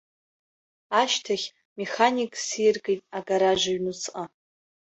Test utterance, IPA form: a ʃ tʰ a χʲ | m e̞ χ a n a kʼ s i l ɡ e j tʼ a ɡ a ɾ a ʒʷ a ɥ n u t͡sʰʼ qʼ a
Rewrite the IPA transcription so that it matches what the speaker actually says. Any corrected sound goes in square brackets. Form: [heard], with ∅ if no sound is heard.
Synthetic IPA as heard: a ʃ tʰ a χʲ | m e̞ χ a n [i] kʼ s i [r] ɡ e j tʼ a ɡ a ɾ a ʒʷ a ɥ n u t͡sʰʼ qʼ a

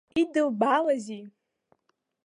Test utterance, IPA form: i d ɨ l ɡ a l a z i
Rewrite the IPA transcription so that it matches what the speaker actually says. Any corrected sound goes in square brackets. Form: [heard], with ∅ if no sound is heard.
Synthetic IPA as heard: i d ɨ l [b] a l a z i

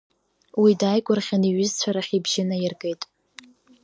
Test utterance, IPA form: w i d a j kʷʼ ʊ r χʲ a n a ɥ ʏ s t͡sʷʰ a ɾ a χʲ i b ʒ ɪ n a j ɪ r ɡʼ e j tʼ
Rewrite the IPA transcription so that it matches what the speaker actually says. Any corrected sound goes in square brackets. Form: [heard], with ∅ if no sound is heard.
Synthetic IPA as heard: w i d a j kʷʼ ʊ r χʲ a n [i] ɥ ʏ [z] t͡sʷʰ a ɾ a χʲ i b ʒ ɪ n a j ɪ r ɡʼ e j tʼ

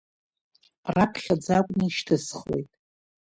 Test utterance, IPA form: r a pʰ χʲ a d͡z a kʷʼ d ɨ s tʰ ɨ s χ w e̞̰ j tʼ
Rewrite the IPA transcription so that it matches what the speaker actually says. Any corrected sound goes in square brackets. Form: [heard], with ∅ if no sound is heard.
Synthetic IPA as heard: r a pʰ χʲ a d͡z a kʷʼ [n] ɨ [ʃ] tʰ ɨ s χ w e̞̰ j tʼ

